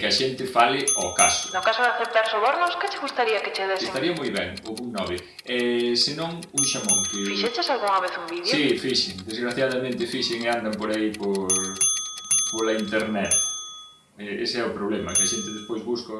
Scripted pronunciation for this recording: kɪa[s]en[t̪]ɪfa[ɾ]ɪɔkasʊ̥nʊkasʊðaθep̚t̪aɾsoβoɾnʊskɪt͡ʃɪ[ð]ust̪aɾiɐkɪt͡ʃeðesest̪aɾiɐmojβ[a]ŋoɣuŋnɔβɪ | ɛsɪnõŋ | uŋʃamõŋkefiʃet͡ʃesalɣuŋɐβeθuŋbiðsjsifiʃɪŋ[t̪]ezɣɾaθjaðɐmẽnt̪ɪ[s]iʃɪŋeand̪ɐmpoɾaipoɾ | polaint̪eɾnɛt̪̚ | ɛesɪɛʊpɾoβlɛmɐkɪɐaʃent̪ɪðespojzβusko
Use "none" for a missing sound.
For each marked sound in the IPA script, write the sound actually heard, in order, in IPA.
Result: ʃ, t̪, l, ɣ, ɛ, d̪, f

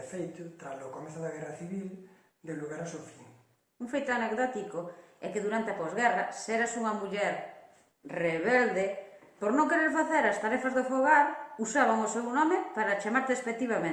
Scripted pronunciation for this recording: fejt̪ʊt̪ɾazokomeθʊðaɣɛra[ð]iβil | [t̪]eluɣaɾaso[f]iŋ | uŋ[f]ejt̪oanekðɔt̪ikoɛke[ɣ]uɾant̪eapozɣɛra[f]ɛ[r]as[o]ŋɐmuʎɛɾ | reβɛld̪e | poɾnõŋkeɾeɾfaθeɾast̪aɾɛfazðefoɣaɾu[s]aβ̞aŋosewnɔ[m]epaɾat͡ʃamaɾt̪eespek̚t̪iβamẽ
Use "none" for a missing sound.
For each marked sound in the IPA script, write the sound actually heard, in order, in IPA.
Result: θ, d̪, f, f, ð, s, ɾ, u, s, m

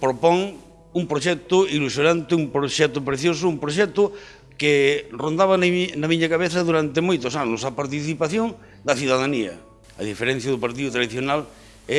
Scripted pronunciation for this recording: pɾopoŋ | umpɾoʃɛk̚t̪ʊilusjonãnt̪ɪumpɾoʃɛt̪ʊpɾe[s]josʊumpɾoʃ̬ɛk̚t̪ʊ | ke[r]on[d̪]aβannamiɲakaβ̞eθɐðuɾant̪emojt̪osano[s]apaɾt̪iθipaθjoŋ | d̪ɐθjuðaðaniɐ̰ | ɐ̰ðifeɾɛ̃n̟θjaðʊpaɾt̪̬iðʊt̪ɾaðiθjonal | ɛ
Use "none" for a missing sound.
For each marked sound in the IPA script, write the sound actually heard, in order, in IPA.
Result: θ, r, d̪, s

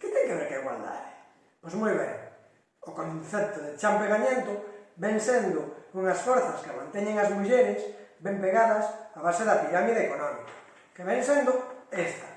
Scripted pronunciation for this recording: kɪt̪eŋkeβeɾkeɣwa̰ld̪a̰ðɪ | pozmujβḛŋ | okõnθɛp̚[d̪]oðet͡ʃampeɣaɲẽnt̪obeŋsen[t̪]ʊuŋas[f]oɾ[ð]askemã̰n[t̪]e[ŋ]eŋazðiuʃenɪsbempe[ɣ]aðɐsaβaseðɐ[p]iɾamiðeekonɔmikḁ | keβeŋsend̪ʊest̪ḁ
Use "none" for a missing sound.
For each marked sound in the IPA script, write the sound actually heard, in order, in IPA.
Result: t̪, d̪, f, θ, t̪, ɲ, ɣ, p

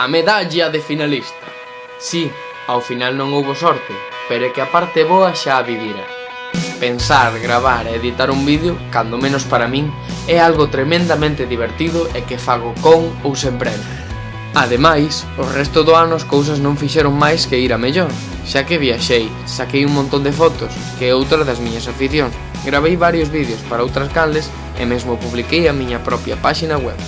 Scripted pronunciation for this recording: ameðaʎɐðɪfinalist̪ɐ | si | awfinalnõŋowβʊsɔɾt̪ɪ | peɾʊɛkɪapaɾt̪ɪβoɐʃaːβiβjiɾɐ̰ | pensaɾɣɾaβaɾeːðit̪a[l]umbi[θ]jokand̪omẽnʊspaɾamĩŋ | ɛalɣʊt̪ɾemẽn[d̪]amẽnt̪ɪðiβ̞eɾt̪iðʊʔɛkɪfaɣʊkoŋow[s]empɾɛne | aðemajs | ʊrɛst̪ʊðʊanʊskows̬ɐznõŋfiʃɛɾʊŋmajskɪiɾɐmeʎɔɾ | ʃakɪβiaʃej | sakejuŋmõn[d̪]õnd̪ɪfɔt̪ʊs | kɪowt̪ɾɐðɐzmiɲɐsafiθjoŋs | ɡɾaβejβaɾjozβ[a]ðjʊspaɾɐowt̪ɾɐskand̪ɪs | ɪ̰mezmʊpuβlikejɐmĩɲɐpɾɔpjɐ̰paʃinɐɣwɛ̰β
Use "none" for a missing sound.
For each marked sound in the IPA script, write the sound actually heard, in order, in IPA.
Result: ɾ, ð, d̪, s, t̪, i

